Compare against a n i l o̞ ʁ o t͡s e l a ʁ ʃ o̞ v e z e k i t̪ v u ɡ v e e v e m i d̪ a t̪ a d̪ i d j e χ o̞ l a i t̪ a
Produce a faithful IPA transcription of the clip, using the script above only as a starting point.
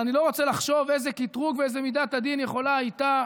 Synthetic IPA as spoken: a n i l o̞ ʁ o t͡s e l a χ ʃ o̞ v e z e k i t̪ ʁ u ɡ v e e z e m i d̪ a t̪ a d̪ i n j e χ o̞ l a i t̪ a